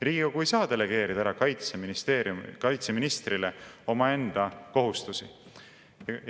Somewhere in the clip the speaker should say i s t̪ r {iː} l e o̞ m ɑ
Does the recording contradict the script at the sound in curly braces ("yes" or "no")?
yes